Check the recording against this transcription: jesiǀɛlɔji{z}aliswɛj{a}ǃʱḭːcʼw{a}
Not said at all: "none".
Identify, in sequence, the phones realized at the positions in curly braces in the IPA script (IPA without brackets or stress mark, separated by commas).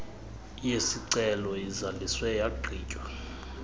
z, a, a